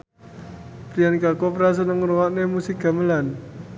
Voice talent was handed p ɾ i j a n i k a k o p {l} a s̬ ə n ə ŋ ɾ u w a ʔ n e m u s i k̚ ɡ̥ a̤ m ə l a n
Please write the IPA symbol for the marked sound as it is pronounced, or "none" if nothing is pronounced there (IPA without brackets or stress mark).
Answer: ɾ